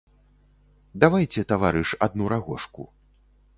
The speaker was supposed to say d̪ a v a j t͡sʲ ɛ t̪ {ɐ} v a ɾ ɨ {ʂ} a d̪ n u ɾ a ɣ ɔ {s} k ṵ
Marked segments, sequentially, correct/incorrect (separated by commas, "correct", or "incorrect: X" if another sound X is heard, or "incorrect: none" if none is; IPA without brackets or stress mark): incorrect: a, correct, incorrect: ʂ